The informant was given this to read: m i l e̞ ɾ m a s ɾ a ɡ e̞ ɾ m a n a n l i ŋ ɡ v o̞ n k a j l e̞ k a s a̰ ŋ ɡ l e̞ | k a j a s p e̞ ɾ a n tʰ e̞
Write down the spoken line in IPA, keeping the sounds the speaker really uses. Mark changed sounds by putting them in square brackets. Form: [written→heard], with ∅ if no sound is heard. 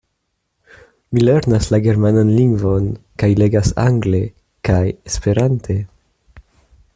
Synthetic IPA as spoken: m i l e̞ ɾ [m→n] a s [ɾ→l] a ɡ e̞ ɾ m a n a n l i ŋ ɡ v o̞ n k a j l e̞ [k→ɡ] a s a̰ ŋ ɡ l e̞ | k a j [a→e] s p e̞ ɾ a n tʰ e̞